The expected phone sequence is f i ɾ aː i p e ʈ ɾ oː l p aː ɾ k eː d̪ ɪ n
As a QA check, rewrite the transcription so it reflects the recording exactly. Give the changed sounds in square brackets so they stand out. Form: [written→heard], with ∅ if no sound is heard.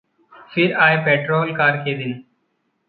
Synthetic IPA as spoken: f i ɾ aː [i→j] p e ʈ ɾ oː l [p→k] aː ɾ k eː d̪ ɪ n